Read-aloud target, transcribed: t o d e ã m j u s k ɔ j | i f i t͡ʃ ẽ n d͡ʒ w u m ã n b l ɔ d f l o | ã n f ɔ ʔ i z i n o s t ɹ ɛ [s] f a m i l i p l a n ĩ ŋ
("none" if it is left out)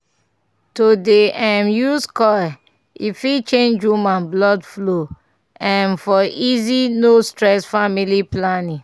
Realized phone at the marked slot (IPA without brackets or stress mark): s